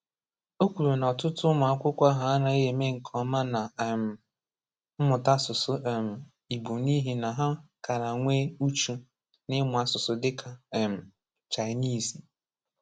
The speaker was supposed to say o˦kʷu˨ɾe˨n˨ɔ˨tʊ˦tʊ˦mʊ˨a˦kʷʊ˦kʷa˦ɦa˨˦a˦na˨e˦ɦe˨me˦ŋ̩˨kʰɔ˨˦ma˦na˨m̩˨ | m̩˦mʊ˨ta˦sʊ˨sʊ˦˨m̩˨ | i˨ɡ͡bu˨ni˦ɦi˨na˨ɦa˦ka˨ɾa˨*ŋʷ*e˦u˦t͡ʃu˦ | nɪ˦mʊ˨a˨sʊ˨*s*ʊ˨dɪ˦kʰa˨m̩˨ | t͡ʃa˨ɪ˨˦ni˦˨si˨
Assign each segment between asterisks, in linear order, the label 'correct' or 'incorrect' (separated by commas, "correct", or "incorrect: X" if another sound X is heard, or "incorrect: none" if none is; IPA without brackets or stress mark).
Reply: correct, correct